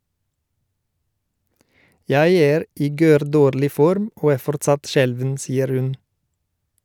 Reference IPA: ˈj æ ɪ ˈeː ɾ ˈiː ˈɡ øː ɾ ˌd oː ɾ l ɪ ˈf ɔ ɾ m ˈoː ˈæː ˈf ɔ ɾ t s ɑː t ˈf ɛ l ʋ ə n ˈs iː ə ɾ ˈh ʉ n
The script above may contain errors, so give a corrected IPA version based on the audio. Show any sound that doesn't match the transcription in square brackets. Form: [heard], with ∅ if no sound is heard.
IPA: ˈj æ ɪ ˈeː ɾ ˈiː ˈɡ øː ɾ ˌd oː ɾ l ɪ ˈf ɔ ɾ m ˈoː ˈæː ˈf ɔ ɾ t s [ɑ] t [ˈʃ] ɛ l ʋ ə n ˈs iː ə ɾ ˈh ʉ n